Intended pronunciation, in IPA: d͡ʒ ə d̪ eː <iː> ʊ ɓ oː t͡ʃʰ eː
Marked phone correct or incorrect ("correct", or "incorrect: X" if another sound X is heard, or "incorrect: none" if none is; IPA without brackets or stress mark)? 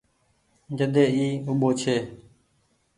correct